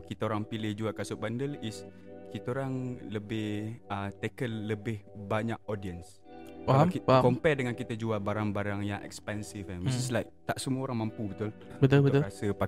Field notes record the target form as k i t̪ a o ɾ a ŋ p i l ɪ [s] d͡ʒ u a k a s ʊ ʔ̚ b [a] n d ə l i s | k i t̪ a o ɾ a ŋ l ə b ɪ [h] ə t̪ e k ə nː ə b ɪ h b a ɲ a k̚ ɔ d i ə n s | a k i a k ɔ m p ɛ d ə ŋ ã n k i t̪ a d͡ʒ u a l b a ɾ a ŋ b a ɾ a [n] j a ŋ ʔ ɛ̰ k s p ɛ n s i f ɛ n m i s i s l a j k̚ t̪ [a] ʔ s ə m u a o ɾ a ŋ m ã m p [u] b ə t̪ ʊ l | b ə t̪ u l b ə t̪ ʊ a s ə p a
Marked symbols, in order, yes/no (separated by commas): no, yes, yes, no, yes, yes